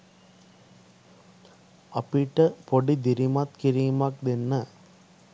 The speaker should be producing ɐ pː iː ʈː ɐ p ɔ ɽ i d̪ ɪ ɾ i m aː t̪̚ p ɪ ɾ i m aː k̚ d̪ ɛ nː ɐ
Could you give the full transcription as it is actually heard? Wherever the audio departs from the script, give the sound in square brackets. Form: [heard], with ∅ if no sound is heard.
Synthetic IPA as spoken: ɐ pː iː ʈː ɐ p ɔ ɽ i d̪ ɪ ɾ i m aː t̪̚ [k] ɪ ɾ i m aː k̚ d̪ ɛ nː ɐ